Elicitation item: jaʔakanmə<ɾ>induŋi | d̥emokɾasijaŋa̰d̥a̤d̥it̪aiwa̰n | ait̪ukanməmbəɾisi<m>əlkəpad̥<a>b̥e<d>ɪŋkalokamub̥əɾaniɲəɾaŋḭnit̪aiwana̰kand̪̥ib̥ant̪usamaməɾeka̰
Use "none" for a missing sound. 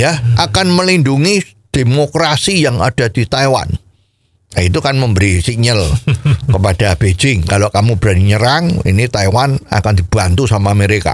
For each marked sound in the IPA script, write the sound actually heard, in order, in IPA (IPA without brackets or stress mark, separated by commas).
l, ɲ, a, d͡ʒ